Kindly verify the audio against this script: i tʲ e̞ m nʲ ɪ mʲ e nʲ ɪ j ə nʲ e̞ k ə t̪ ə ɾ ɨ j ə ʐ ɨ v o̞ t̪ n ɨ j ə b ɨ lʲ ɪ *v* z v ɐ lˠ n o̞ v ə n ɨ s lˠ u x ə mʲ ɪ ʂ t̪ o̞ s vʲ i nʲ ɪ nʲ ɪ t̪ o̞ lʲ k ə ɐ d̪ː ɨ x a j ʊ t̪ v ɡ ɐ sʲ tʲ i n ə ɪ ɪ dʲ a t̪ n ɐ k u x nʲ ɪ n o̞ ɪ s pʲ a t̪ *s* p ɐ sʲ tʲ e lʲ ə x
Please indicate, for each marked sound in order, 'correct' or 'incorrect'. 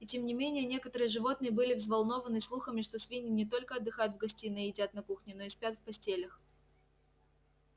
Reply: correct, incorrect: f

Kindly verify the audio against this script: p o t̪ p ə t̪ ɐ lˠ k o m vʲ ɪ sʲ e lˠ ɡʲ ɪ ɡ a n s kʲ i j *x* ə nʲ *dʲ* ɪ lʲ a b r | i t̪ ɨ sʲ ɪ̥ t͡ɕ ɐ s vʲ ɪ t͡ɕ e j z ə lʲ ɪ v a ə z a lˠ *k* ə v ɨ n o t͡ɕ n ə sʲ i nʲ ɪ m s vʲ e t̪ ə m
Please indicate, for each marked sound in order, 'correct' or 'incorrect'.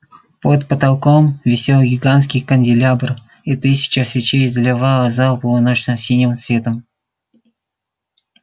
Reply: incorrect: k, correct, incorrect: p

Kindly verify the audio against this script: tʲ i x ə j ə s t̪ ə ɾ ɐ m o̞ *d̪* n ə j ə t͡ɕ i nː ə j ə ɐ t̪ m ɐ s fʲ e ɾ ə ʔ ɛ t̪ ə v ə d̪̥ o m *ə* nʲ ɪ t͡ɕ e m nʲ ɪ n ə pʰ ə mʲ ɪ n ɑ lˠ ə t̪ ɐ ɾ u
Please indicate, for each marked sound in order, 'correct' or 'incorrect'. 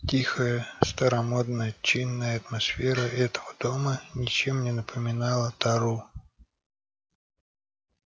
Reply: correct, correct

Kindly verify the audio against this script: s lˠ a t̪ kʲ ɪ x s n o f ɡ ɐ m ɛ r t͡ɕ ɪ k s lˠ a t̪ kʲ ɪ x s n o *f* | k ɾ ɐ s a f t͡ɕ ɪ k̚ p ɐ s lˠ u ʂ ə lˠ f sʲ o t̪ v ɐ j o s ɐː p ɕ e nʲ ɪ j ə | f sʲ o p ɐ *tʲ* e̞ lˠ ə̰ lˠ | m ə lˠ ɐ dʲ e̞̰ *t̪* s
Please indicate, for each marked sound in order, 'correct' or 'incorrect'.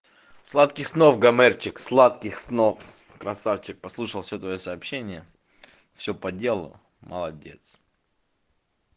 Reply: correct, incorrect: dʲ, correct

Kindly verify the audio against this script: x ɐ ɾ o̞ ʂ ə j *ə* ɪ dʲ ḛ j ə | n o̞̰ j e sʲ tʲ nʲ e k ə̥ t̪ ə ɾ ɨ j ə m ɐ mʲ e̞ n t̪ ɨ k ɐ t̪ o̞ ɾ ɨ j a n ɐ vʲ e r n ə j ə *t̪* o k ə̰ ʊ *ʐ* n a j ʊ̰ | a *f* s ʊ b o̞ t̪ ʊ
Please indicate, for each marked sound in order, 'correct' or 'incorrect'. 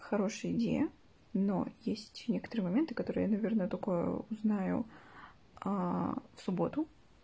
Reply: correct, correct, incorrect: z, correct

